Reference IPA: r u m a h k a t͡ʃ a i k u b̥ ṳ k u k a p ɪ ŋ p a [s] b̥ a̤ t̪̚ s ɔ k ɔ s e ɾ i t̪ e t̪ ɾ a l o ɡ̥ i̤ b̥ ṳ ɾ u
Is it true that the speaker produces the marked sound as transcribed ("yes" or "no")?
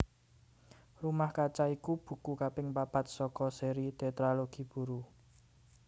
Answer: no